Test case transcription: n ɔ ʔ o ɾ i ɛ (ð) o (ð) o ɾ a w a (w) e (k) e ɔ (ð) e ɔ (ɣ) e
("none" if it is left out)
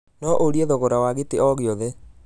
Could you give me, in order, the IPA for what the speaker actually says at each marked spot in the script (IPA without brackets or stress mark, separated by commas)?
ð, ɣ, ɣ, t, ɣ, ð